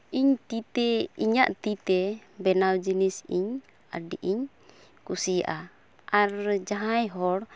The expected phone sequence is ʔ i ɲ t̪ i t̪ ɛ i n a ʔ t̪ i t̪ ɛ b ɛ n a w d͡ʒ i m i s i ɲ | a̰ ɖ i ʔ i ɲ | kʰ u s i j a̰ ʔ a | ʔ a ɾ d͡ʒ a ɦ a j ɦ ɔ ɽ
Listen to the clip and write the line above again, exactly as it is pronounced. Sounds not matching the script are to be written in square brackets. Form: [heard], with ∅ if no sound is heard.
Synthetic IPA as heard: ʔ i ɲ t̪ i t̪ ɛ i [ɲ] a ʔ t̪ i t̪ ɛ b ɛ n a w d͡ʒ i [n] i s i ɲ | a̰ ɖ i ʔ i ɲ | [k] u s i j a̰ ʔ a | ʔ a ɾ d͡ʒ a ɦ a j ɦ ɔ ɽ